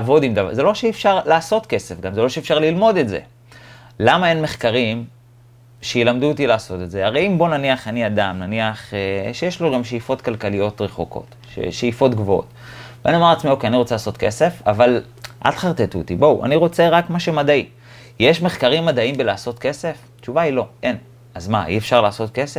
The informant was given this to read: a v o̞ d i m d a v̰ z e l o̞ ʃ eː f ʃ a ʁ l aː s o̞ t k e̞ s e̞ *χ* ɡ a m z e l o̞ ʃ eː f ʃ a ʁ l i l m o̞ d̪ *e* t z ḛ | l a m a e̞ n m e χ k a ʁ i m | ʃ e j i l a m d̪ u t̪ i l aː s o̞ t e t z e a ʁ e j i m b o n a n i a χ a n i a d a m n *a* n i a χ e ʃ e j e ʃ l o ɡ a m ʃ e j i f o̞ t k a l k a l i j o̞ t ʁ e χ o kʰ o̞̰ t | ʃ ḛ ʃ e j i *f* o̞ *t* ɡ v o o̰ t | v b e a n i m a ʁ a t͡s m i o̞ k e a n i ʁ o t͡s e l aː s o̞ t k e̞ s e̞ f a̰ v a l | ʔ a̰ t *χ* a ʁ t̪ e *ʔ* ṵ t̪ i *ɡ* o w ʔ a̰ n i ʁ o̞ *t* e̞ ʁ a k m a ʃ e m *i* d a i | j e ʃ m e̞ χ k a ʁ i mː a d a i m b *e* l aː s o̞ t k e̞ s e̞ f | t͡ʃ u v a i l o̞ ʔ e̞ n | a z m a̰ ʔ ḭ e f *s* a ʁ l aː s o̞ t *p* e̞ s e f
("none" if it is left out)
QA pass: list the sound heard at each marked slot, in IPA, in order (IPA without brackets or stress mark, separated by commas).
f, e, a, f, t, χ, t, b, t͡s, a, e, ʃ, k